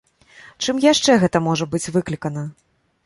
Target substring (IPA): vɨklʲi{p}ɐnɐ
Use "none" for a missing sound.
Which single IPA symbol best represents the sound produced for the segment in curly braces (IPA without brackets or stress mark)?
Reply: k